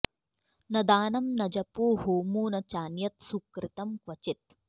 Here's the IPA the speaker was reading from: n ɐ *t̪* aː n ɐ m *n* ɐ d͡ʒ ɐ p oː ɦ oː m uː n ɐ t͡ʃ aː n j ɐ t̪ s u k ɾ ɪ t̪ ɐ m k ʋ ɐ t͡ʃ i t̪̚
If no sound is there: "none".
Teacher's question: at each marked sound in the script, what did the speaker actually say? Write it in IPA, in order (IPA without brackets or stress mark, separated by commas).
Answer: d̪, n